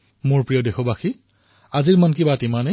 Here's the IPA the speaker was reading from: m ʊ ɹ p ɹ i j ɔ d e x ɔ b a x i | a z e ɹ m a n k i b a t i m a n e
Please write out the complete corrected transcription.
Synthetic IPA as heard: m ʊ ɹ p ɹ i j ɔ d e x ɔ b a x i | a z i ɹ m a n k i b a t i m a n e